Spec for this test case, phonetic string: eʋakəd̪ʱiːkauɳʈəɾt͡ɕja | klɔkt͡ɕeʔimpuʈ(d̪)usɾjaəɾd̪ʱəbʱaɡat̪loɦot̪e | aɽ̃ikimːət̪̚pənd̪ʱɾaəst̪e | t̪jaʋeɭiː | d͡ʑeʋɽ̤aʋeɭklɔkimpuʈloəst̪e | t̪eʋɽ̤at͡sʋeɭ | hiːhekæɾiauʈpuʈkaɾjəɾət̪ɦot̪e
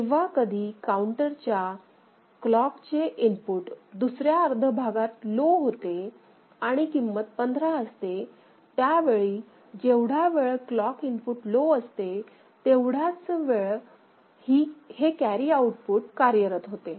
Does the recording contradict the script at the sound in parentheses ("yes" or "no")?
no